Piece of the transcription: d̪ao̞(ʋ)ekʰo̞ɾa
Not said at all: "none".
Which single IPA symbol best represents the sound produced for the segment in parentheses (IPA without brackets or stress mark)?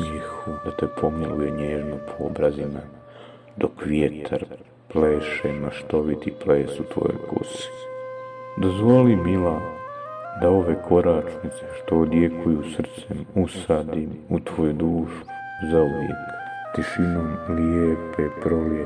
ʋ